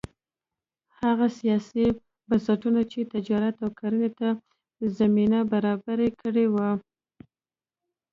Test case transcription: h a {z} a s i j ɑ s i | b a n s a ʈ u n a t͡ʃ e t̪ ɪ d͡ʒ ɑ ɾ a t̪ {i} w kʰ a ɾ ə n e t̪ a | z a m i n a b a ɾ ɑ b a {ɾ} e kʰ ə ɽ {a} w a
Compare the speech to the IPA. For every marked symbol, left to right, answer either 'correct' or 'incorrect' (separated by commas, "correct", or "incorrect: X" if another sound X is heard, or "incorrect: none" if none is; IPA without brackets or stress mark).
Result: incorrect: ɣ, incorrect: a, correct, incorrect: e